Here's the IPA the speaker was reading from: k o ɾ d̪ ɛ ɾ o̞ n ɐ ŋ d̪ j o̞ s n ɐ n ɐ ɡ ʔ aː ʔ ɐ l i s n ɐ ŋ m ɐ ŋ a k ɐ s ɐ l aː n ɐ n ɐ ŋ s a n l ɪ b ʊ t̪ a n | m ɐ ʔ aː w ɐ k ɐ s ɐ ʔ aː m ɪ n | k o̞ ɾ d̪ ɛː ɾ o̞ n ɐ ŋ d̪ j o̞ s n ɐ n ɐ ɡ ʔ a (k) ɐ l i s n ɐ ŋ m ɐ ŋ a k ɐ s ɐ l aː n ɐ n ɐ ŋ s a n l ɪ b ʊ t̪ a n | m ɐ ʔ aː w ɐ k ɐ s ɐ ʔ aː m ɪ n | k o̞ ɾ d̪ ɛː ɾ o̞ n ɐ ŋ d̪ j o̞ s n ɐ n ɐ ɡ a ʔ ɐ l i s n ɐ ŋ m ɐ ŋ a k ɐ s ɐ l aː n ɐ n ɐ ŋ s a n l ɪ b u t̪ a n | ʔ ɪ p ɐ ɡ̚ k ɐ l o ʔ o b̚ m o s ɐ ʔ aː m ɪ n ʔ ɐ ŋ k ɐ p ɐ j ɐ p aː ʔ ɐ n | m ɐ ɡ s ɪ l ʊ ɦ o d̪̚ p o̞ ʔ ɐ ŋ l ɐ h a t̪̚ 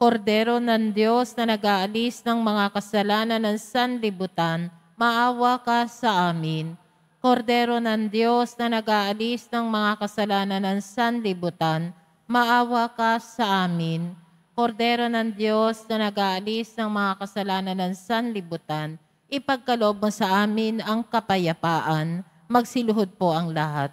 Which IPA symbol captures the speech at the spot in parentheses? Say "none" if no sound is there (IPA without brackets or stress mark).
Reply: ʔ